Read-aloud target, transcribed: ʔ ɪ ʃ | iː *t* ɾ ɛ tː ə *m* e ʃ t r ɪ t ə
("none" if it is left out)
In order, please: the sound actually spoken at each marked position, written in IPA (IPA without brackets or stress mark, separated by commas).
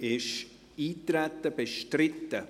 t, b